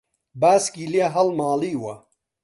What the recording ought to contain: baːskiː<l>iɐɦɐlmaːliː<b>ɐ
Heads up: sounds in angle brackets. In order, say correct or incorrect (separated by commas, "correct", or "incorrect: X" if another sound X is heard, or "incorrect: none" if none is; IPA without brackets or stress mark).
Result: correct, incorrect: w